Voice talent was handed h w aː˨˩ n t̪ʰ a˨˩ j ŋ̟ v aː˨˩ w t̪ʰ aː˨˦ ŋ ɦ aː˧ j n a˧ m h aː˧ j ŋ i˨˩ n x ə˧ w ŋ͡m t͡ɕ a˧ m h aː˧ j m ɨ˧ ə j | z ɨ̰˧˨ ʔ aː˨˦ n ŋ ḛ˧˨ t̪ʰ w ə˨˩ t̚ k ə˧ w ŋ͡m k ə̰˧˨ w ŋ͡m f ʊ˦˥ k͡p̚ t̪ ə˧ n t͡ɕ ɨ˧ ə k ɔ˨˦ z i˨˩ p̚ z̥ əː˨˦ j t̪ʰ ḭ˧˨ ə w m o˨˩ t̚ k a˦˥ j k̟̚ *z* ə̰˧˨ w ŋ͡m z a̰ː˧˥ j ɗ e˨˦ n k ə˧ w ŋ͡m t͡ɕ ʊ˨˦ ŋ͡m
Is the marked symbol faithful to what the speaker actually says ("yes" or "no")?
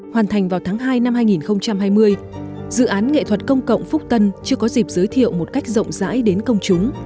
yes